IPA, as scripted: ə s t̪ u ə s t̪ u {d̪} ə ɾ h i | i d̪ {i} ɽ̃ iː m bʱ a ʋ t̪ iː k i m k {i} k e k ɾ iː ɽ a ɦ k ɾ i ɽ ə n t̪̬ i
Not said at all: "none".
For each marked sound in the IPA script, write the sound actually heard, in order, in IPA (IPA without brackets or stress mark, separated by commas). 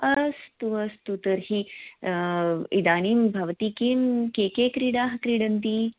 t̪, a, e